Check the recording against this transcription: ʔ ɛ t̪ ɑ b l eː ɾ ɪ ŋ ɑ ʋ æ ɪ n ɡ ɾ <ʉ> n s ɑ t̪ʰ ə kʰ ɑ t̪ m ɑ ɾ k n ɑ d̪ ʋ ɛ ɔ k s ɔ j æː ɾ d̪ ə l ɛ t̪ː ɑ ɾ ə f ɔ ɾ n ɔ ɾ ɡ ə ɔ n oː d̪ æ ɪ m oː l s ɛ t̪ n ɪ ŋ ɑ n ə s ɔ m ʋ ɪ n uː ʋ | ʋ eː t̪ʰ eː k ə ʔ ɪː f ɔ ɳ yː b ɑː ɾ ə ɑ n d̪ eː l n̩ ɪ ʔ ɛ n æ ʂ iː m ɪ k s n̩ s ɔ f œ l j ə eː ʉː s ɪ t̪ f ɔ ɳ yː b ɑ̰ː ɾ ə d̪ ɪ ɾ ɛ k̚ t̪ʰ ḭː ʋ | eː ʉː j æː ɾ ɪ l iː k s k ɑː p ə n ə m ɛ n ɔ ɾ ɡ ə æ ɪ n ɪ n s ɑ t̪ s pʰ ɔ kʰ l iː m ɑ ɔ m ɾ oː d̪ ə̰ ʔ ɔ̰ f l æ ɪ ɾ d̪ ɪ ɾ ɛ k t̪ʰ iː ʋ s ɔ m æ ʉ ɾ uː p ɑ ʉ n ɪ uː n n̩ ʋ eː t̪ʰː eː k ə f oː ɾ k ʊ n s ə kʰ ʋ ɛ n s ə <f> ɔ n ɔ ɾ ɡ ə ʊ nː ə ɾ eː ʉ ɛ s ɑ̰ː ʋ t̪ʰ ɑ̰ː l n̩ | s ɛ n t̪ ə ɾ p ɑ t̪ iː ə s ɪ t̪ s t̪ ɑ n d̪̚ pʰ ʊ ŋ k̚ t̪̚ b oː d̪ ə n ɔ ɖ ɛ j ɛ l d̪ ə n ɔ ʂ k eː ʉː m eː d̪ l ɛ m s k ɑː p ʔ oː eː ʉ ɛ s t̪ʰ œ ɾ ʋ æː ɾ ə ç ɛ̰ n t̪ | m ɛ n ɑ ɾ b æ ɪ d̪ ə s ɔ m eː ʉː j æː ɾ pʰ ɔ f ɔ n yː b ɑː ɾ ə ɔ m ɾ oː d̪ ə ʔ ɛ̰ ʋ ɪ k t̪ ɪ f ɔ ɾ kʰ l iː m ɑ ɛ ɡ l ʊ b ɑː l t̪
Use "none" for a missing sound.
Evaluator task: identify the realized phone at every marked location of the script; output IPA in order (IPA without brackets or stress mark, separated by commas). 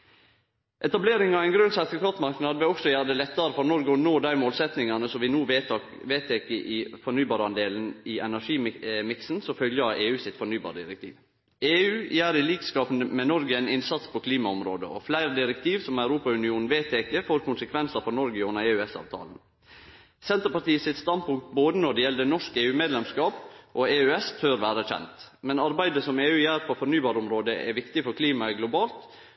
ʉ, f